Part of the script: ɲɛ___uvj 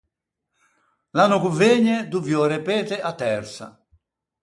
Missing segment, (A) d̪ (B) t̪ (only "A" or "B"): A